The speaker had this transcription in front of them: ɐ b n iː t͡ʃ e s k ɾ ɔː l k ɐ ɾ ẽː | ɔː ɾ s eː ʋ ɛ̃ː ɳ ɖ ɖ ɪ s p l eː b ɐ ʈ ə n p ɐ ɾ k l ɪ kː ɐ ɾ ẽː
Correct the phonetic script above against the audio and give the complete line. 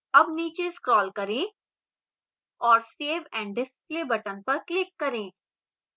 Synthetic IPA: ɐ b n iː t͡ʃ e s k ɾ ɔː l k ɐ ɾ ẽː | ɔː ɾ s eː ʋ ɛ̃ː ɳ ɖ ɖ ɪ s p l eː b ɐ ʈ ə n p ɐ ɾ k l ɪ kː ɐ ɾ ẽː